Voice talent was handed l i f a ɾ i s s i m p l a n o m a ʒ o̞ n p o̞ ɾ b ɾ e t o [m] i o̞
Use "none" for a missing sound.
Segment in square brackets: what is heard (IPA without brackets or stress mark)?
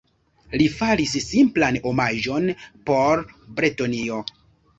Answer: n